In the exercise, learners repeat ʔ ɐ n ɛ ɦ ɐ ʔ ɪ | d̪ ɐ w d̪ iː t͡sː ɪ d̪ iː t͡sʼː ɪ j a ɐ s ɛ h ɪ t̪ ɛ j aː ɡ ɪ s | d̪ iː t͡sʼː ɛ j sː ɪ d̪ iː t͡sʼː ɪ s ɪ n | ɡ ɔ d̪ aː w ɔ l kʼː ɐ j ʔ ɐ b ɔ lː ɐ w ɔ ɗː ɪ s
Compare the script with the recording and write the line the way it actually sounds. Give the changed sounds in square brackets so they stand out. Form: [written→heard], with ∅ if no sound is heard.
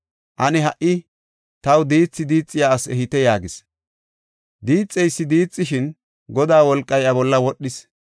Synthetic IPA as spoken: ʔ ɐ n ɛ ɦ ɐ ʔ ɪ | [d̪→t̪] ɐ w d̪ iː t͡sː ɪ d̪ iː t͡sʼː ɪ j a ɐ s ɛ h ɪ t̪ ɛ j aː ɡ ɪ s | d̪ iː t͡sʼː ɛ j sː ɪ d̪ iː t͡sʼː ɪ [s→ʃ] ɪ n | ɡ ɔ d̪ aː w ɔ l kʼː ɐ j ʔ ɐ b ɔ lː ɐ w ɔ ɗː ɪ s

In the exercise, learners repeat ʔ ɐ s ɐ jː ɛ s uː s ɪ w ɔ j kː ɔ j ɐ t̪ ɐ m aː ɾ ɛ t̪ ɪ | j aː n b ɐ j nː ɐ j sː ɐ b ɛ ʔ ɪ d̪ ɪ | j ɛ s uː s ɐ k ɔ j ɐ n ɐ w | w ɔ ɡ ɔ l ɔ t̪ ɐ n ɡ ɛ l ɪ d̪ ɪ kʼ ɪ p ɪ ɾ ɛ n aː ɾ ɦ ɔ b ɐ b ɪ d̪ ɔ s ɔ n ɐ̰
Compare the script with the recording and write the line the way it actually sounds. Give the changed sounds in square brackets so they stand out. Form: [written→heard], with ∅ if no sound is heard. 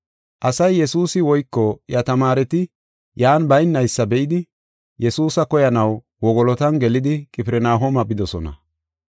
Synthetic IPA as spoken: ʔ ɐ s ɐ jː ɛ s uː s ɪ w ɔ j kː ɔ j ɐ t̪ ɐ m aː ɾ ɛ t̪ ɪ | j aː n b ɐ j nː ɐ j sː ɐ b ɛ ʔ ɪ d̪ ɪ | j ɛ s uː s ɐ k ɔ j ɐ n ɐ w | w ɔ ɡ ɔ l ɔ t̪ ɐ n ɡ ɛ l ɪ d̪ ɪ kʼ ɪ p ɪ ɾ ɛ n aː [ɾ→∅] ɦ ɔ [b→m] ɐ b ɪ d̪ ɔ s ɔ n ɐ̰

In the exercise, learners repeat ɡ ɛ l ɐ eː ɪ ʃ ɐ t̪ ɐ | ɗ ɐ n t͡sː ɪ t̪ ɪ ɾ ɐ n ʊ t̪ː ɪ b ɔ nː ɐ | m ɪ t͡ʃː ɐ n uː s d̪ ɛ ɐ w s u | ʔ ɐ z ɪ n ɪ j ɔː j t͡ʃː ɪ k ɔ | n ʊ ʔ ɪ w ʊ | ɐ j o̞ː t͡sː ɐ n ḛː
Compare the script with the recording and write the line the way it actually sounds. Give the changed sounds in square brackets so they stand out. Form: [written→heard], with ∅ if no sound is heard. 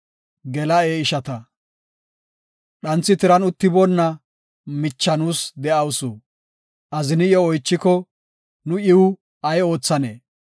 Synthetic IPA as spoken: ɡ ɛ l ɐ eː ɪ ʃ ɐ t̪ ɐ | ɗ ɐ n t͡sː ɪ t̪ ɪ ɾ ɐ n ʊ t̪ː ɪ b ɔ nː ɐ | m ɪ t͡ʃː ɐ n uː s d̪ ɛ ɐ w s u | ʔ ɐ z ɪ n ɪ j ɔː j t͡ʃː ɪ k ɔ | n ʊ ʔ ɪ w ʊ | ɐ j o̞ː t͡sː ɐ n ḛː

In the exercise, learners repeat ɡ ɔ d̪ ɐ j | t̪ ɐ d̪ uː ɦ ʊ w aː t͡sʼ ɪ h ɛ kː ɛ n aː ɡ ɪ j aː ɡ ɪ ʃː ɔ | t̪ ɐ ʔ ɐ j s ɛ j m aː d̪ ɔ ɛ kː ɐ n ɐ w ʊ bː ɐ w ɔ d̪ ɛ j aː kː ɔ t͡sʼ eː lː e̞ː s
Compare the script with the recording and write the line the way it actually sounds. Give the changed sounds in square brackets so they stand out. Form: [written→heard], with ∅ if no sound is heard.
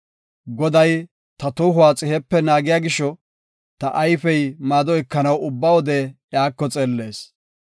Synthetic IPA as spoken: ɡ ɔ d̪ ɐ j | t̪ ɐ [d̪→t̪] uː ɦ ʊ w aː t͡sʼ ɪ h ɛ [kː→pː] ɛ n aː ɡ ɪ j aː ɡ ɪ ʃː ɔ | t̪ ɐ ʔ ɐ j [s→f] ɛ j m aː d̪ ɔ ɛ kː ɐ n ɐ w ʊ bː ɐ w ɔ d̪ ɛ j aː kː ɔ t͡sʼ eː lː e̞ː s

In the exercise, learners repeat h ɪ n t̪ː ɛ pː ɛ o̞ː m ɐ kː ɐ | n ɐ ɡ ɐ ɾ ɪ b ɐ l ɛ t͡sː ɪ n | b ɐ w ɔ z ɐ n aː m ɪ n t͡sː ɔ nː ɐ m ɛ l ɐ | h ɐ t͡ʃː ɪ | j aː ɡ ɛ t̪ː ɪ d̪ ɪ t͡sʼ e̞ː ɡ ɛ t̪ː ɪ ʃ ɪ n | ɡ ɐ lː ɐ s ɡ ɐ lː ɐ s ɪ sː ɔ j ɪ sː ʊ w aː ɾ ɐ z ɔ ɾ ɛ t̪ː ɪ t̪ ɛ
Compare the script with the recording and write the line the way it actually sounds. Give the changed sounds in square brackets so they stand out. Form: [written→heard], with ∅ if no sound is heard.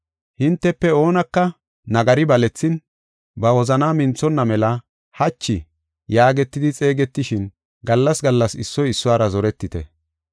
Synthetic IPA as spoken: h ɪ n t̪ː ɛ pː ɛ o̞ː [m→n] ɐ kː ɐ | n ɐ ɡ ɐ ɾ ɪ b ɐ l ɛ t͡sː ɪ n | b ɐ w ɔ z ɐ n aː m ɪ n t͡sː ɔ nː ɐ m ɛ l ɐ | h ɐ t͡ʃː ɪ | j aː ɡ ɛ t̪ː ɪ d̪ ɪ t͡sʼ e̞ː ɡ ɛ t̪ː ɪ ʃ ɪ n | ɡ ɐ lː ɐ s ɡ ɐ lː ɐ s ɪ sː ɔ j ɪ sː ʊ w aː ɾ ɐ z ɔ ɾ ɛ t̪ː ɪ t̪ ɛ

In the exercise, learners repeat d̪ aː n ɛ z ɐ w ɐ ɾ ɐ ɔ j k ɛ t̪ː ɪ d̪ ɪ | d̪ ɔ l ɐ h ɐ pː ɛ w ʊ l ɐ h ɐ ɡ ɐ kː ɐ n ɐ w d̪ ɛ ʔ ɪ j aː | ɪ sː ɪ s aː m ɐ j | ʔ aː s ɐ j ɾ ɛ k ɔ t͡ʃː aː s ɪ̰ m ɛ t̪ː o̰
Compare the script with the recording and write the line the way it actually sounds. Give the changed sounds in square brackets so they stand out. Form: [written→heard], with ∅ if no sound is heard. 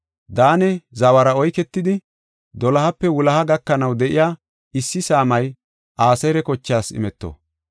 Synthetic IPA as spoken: d̪ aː n ɛ z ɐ w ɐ ɾ ɐ ɔ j k ɛ t̪ː ɪ d̪ ɪ | d̪ ɔ l ɐ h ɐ pː ɛ w ʊ l ɐ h ɐ ɡ ɐ kː ɐ n ɐ w d̪ ɛ ʔ ɪ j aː | ɪ sː ɪ s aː m ɐ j | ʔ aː s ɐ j ɾ ɛ k ɔ t͡ʃː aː s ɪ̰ m ɛ t̪ː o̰

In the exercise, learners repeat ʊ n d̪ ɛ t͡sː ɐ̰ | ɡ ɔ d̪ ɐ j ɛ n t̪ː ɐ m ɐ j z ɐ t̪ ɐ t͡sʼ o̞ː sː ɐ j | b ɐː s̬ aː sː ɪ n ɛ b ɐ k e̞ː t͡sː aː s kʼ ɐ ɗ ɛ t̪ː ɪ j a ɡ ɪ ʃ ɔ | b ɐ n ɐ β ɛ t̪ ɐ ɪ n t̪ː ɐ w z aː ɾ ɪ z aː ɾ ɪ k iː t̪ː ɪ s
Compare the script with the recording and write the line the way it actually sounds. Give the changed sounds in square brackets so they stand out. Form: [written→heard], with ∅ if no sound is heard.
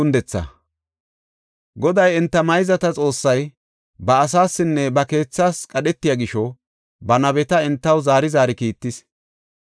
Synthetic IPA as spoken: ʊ n d̪ ɛ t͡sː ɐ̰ | ɡ ɔ d̪ ɐ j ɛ n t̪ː ɐ m ɐ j z ɐ t̪ ɐ t͡sʼ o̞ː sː ɐ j | b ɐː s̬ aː sː ɪ [n→nː] ɛ b ɐ k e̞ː t͡sː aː s kʼ ɐ ɗ ɛ t̪ː ɪ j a ɡ ɪ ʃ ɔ | b ɐ n ɐ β ɛ t̪ ɐ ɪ n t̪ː ɐ w z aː ɾ ɪ z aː ɾ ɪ k iː t̪ː ɪ s

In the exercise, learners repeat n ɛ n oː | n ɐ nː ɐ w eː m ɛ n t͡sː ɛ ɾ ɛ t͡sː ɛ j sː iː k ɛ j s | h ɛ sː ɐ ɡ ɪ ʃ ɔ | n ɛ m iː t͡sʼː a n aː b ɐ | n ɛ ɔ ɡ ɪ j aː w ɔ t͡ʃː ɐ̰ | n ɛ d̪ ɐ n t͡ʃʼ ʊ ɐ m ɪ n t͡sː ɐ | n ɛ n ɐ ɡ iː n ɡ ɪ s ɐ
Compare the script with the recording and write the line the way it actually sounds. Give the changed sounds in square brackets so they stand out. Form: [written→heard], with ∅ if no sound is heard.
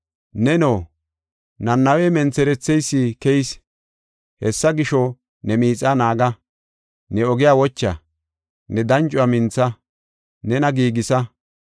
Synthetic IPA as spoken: n ɛ n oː | n ɐ nː ɐ w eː m ɛ n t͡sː ɛ ɾ ɛ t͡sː ɛ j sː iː k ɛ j s | h ɛ sː ɐ ɡ ɪ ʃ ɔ | n ɛ m iː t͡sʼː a n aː [b→ɡ] ɐ | n ɛ ɔ ɡ ɪ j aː w ɔ t͡ʃː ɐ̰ | n ɛ d̪ ɐ n t͡ʃʼ ʊ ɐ m ɪ n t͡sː ɐ | n ɛ n ɐ ɡ iː [n→∅] ɡ ɪ s ɐ

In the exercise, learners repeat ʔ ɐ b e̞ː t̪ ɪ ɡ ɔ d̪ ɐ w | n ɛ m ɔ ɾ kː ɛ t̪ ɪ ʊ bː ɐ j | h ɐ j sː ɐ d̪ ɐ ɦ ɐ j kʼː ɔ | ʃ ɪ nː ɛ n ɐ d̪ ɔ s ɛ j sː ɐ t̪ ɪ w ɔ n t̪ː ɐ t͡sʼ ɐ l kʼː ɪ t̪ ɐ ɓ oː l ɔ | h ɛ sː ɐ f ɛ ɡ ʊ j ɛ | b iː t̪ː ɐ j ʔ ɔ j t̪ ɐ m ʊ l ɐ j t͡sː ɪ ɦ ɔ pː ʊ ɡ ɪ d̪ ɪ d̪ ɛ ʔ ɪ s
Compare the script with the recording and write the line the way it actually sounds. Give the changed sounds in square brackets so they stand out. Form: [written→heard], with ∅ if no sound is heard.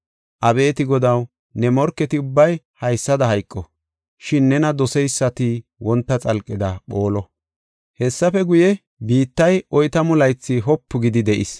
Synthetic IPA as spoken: ʔ ɐ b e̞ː t̪ ɪ ɡ ɔ d̪ ɐ w | n ɛ m ɔ ɾ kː ɛ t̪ ɪ ʊ bː ɐ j | h ɐ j sː ɐ d̪ ɐ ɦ ɐ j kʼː ɔ | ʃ ɪ nː ɛ n ɐ d̪ ɔ s ɛ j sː ɐ t̪ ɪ w ɔ n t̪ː ɐ t͡sʼ ɐ l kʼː ɪ [t̪→d̪] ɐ ɓ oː l ɔ | h ɛ sː ɐ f ɛ ɡ ʊ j ɛ | b iː t̪ː ɐ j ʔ ɔ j t̪ ɐ m ʊ l ɐ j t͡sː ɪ ɦ ɔ pː ʊ ɡ ɪ d̪ ɪ d̪ ɛ ʔ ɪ s

